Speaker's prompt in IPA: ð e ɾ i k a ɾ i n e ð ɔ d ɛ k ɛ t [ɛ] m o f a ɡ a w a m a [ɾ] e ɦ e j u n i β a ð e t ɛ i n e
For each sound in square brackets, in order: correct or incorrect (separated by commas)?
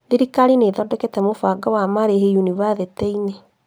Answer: correct, correct